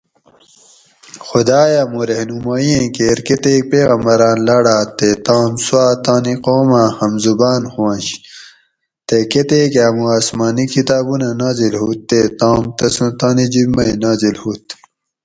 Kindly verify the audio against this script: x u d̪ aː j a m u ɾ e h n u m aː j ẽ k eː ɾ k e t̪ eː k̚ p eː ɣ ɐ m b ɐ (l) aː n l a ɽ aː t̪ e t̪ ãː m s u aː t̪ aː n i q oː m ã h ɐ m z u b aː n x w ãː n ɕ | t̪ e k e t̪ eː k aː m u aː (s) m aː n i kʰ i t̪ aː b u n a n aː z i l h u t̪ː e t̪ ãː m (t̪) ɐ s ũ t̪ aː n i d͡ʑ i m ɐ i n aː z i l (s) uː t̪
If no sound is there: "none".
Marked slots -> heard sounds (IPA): ɾ, s, t̪, h

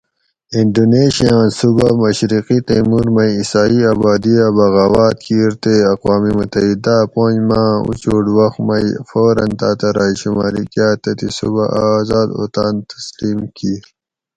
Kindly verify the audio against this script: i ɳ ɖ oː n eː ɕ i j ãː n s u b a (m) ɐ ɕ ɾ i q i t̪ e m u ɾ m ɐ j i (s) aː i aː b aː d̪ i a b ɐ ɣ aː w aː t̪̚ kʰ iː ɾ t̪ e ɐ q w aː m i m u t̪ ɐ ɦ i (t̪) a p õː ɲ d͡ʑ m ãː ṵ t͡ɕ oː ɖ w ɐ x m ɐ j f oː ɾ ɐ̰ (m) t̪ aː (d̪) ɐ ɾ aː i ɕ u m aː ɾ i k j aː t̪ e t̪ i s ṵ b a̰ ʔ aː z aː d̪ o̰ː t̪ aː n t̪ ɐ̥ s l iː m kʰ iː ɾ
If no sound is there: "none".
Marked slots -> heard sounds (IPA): m, s, d̪, n, t̪

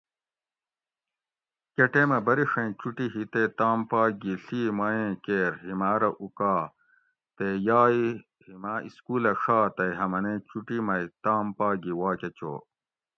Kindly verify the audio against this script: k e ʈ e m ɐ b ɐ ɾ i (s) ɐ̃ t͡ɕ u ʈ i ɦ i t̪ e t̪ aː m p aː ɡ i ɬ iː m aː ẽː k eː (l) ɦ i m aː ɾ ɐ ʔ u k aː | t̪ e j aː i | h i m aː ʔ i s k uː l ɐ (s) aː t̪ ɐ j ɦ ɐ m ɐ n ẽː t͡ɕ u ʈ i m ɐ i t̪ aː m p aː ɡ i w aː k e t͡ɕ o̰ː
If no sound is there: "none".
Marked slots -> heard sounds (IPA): ʂ, ɾ, ʂ

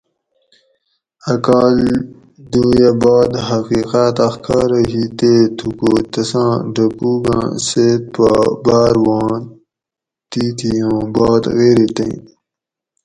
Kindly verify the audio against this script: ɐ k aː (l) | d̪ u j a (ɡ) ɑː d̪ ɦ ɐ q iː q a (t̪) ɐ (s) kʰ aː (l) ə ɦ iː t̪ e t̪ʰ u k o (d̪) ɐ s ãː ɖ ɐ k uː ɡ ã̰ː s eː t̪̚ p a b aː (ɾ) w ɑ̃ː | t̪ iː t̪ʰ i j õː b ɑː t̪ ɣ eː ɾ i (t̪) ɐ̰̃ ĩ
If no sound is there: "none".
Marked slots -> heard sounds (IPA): l, b, t̪, x, ɾ, t̪, ɾ, t̪

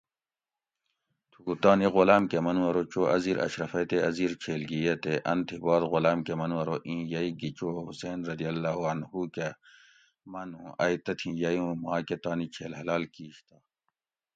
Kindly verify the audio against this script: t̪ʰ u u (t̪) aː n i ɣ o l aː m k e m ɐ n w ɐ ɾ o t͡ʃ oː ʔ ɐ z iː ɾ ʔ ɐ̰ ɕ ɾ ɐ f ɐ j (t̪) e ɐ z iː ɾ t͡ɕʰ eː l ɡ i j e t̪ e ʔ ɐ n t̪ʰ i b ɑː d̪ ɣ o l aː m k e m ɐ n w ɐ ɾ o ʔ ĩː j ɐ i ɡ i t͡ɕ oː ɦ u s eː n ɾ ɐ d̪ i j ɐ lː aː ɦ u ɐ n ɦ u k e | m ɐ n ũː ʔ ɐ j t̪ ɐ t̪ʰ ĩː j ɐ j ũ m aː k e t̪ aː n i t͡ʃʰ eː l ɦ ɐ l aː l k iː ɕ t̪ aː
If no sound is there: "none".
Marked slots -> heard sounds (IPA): t̪, t̪

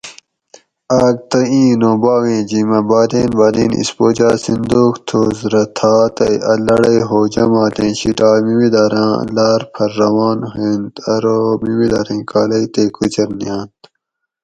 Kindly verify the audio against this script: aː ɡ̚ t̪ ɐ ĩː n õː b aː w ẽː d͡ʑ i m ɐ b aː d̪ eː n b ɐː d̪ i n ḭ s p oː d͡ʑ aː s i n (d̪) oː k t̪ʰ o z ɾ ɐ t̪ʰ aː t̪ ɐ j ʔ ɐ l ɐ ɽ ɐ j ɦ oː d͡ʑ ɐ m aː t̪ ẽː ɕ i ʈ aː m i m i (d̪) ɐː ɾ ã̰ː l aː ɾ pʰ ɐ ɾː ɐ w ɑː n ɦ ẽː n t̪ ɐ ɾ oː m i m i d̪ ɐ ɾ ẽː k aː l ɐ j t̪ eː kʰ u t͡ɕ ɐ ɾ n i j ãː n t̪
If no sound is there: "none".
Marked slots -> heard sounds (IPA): d̪, d̪

